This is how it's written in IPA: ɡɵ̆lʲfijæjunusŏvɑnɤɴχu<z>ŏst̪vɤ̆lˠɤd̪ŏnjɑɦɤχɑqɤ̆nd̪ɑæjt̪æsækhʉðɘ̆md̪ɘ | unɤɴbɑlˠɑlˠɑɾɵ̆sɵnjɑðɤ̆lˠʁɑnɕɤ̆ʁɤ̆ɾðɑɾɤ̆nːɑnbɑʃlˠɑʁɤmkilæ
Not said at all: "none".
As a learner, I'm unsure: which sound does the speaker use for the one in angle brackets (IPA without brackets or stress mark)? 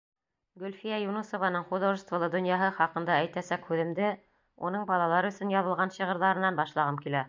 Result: ð